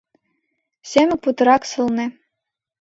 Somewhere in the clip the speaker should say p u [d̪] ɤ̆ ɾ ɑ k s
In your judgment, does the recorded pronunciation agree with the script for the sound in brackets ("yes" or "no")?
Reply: no